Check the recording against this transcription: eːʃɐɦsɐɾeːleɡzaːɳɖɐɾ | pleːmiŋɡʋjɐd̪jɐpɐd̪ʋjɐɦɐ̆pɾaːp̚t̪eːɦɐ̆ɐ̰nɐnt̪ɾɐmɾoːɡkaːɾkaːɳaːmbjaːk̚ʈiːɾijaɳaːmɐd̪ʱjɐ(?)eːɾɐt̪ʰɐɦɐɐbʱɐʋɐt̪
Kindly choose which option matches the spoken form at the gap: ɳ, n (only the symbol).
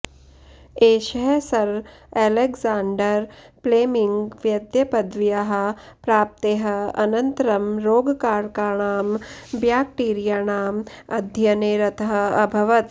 n